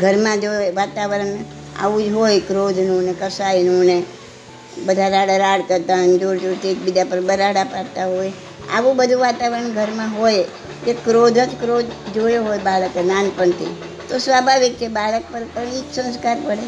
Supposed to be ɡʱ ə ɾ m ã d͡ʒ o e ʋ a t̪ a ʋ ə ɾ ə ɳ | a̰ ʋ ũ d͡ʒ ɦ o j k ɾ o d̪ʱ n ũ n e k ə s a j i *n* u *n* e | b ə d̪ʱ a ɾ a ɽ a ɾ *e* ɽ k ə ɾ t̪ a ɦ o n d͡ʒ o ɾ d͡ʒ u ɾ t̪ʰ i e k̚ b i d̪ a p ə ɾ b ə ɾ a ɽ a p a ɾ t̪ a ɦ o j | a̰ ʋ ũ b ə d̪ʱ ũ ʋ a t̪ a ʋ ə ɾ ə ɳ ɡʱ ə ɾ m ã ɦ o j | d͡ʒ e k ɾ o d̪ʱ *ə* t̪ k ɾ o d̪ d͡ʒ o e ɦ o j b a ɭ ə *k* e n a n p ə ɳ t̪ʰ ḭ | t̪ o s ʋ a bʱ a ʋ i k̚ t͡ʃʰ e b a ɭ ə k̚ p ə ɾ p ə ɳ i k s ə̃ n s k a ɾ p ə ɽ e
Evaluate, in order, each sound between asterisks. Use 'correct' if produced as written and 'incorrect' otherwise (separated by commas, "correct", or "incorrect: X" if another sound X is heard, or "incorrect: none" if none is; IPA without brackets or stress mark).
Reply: correct, correct, incorrect: a, correct, correct